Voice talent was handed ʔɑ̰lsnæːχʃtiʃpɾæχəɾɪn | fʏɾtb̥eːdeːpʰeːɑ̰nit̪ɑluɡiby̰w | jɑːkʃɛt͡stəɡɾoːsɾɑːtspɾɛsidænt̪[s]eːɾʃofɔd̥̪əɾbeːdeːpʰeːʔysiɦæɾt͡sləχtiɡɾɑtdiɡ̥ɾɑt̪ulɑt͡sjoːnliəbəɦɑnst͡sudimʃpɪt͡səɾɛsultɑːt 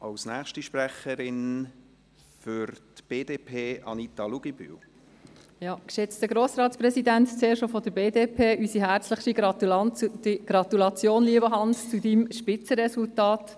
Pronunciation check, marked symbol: incorrect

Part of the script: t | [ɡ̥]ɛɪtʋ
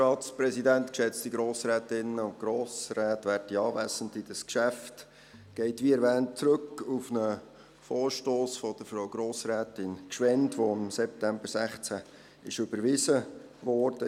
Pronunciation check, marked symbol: correct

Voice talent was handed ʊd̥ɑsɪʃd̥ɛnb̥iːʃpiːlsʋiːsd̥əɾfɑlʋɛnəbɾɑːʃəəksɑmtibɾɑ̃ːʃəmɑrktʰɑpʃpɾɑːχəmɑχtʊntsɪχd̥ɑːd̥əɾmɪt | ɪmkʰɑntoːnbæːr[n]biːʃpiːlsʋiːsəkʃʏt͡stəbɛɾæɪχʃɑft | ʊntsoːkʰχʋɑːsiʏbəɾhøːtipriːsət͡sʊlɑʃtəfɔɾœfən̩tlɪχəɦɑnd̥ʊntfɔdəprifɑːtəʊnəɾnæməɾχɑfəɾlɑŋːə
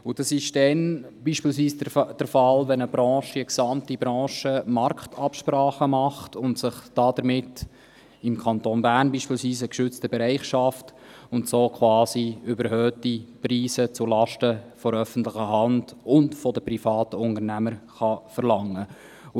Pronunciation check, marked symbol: correct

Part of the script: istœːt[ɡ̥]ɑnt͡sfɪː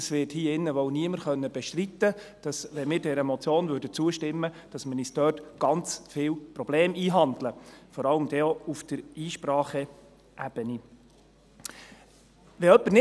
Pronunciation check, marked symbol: correct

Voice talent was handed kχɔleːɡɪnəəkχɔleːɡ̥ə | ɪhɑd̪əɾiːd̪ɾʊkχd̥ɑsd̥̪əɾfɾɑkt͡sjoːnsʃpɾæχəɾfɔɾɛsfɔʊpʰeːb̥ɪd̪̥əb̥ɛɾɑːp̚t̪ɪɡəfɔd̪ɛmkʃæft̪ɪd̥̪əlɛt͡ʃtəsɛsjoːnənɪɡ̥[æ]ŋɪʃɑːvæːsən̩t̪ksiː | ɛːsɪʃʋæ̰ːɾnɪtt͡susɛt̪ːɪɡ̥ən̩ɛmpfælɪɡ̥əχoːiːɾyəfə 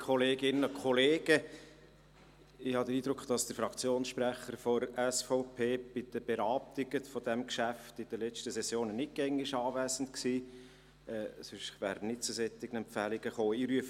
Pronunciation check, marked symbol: incorrect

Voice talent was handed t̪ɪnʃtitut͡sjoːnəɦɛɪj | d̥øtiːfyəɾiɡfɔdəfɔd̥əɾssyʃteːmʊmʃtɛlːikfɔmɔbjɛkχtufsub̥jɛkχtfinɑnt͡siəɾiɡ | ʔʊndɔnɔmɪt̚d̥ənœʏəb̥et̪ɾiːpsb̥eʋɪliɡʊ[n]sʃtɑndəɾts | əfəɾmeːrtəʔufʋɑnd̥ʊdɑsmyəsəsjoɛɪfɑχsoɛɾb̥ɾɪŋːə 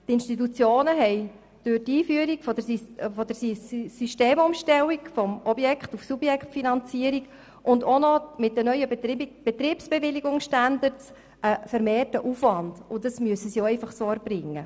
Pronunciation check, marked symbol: incorrect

